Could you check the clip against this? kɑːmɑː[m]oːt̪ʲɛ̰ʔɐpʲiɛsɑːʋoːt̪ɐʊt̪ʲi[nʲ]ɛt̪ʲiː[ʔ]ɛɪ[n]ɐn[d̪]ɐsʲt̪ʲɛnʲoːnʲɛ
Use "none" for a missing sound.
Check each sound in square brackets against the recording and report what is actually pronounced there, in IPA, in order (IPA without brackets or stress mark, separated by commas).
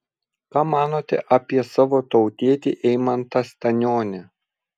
n, none, ʔ, m, t̪